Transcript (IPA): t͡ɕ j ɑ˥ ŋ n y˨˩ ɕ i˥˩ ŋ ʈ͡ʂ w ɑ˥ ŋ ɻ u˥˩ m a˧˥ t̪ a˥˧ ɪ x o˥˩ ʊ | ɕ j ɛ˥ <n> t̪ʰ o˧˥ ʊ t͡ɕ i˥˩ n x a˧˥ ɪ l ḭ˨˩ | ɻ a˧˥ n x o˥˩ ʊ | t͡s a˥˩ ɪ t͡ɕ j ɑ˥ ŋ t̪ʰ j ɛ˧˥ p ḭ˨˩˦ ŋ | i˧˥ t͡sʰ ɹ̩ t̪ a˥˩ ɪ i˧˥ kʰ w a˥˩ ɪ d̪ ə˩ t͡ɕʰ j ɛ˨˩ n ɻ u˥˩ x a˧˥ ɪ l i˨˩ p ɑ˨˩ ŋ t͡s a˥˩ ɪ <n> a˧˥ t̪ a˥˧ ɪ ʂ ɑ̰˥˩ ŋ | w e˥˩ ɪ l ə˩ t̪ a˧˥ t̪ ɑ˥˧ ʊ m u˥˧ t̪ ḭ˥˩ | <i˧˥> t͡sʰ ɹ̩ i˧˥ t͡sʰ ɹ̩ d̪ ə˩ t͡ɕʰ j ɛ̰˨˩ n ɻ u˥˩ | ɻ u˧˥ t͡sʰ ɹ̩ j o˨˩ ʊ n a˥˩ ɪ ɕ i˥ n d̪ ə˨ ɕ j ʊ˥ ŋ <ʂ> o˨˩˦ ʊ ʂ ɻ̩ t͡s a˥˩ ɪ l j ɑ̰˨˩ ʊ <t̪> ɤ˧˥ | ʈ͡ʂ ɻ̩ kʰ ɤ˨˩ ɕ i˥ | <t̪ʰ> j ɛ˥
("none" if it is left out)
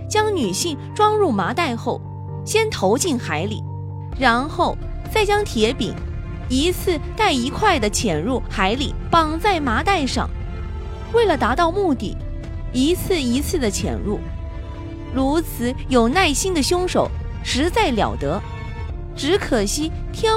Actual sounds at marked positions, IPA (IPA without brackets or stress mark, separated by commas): n, m, i˧˥, ʂ, t̪, t̪ʰ